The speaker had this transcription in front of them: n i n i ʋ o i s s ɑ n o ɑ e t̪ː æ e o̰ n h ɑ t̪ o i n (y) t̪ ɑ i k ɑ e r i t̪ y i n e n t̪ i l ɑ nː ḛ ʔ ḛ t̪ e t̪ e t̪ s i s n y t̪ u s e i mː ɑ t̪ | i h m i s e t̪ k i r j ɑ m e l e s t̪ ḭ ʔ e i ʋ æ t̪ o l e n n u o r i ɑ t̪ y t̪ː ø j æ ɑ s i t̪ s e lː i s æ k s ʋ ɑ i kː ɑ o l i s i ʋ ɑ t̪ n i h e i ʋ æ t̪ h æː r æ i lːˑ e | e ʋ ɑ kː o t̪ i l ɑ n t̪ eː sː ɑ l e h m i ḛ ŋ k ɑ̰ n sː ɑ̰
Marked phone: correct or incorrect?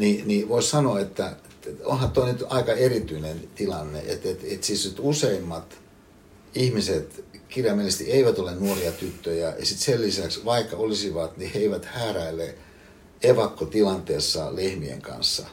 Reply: correct